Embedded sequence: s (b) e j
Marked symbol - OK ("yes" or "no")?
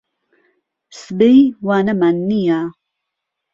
yes